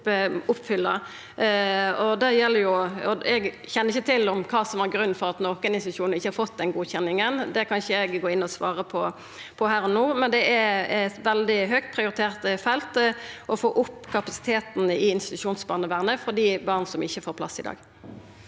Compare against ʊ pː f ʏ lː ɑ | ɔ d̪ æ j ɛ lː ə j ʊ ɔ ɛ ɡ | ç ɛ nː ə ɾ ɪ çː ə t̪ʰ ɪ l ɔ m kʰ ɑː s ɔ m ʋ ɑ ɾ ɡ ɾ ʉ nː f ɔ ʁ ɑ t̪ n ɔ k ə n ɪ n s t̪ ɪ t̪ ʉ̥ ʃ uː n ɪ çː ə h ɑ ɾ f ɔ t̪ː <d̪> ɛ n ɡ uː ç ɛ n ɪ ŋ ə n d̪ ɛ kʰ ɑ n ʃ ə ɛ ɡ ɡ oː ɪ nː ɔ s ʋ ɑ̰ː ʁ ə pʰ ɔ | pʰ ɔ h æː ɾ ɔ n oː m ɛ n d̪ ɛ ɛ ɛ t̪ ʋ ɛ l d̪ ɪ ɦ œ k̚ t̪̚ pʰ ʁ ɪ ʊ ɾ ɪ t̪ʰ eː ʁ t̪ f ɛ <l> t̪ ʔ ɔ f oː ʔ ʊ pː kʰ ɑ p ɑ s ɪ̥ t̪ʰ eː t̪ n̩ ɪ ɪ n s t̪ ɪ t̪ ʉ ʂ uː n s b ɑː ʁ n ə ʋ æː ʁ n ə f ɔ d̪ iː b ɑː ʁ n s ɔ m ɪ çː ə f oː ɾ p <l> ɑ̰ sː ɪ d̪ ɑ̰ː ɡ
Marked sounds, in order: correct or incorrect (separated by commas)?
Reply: correct, correct, correct